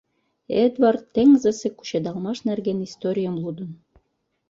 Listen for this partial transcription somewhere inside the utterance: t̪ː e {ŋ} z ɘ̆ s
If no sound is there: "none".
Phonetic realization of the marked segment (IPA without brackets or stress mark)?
ŋ